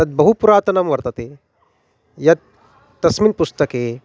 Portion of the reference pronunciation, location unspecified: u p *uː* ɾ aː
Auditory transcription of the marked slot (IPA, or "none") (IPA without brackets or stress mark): u